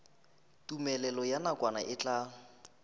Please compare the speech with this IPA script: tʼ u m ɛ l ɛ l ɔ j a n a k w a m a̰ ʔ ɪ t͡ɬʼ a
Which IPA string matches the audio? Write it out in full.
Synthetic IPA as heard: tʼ u m ɛ l ɛ l ɔ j a n a k w a n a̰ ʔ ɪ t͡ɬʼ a